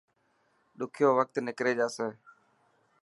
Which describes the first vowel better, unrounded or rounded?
rounded